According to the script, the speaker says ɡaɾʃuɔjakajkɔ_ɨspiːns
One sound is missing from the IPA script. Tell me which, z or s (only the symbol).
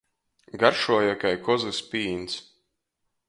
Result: z